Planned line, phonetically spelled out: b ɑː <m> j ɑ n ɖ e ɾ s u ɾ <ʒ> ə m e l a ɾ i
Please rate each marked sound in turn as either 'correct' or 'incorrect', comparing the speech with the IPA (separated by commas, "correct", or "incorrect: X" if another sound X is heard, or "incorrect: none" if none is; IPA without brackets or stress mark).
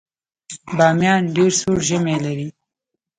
correct, correct